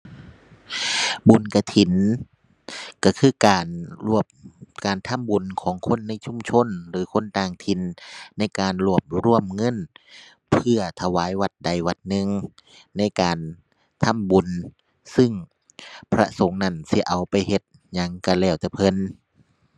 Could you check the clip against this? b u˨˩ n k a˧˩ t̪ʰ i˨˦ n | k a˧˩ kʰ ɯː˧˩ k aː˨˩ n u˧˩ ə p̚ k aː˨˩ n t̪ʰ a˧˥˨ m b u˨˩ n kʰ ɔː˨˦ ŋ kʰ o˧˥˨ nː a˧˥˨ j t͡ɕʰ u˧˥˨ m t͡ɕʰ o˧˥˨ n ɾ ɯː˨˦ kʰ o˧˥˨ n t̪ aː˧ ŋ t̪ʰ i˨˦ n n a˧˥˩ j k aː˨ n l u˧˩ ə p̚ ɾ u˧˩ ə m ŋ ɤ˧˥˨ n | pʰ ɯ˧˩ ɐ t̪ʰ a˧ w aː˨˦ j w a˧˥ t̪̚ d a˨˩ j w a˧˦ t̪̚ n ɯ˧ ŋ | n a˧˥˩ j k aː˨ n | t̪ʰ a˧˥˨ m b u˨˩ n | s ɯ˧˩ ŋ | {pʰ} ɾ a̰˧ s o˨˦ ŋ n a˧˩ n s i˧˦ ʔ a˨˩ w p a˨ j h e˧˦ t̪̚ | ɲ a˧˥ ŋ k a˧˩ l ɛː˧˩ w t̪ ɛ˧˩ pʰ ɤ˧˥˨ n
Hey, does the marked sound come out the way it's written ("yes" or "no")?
yes